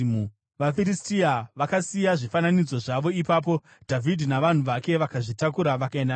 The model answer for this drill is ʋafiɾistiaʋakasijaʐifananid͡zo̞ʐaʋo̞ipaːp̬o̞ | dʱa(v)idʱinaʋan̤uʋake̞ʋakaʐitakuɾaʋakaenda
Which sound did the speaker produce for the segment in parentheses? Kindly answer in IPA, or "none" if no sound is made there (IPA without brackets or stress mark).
v